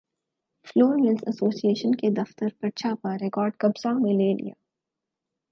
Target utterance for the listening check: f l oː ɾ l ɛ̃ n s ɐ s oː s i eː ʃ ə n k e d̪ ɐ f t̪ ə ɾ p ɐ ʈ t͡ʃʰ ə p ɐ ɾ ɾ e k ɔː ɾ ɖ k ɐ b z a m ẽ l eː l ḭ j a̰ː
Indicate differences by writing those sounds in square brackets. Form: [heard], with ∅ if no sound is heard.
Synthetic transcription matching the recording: f l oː ɾ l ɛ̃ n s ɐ s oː s i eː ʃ ə n k e d̪ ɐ f t̪ ə ɾ p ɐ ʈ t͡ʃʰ [a] p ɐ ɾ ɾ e k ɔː ɾ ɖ k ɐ b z a m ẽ l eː l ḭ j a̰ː